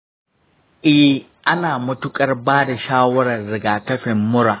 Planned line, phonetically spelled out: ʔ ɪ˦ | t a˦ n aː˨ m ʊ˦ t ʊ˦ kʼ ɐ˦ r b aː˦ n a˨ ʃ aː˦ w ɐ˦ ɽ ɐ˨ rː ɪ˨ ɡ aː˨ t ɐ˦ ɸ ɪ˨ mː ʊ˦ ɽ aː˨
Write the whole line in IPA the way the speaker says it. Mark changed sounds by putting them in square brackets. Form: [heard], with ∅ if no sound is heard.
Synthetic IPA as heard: ʔ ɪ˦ | [ʔ] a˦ n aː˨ m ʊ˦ t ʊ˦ kʼ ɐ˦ r b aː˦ [d] a˨ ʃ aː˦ w ɐ˦ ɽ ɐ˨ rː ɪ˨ ɡ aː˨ t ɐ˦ ɸ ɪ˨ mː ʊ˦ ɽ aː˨